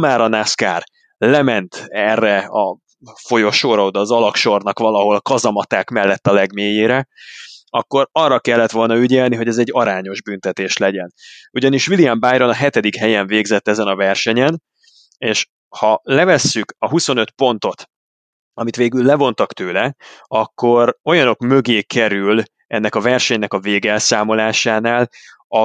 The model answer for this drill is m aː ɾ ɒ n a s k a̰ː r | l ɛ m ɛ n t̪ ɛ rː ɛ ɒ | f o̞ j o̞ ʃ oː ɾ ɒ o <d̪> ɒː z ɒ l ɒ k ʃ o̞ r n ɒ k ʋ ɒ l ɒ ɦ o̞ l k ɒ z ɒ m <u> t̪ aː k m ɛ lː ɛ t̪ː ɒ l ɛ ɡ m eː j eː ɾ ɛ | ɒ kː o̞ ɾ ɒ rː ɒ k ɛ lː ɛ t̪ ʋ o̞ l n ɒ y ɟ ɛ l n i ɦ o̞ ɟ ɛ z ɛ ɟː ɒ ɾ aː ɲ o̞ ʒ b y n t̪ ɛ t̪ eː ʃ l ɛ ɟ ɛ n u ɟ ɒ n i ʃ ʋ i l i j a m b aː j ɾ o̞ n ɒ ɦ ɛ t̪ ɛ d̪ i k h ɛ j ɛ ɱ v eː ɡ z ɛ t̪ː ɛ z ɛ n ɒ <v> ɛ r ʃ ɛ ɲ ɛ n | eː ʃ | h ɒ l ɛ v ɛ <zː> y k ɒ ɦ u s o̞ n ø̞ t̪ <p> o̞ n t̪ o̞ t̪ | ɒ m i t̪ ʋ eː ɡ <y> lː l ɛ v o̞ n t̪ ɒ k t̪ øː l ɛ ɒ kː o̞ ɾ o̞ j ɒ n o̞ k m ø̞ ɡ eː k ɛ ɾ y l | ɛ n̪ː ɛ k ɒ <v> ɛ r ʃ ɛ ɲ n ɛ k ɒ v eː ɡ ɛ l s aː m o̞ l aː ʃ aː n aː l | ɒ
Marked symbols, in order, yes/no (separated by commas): yes, no, yes, no, yes, yes, yes